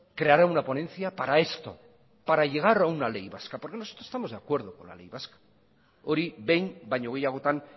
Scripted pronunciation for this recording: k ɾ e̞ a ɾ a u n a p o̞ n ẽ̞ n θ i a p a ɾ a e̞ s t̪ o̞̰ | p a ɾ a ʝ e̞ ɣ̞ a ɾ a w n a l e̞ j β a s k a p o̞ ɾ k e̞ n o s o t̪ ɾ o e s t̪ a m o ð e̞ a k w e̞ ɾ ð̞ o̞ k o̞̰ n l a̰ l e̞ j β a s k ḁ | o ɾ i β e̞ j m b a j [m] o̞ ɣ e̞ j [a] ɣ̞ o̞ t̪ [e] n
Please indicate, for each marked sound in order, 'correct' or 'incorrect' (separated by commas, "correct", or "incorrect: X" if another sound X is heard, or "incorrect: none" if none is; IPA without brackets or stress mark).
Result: incorrect: ɲ, correct, incorrect: a